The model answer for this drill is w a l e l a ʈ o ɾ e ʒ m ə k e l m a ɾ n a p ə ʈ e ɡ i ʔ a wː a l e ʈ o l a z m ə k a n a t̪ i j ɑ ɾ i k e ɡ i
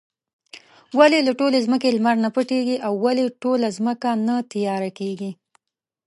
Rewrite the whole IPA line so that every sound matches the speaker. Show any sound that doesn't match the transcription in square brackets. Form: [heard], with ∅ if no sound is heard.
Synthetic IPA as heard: w a l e l a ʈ o [l] e [z] m ə k e l m a ɾ n a p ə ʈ e ɡ i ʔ a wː a l e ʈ o l a z m ə k a n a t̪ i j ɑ ɾ [a] k e ɡ i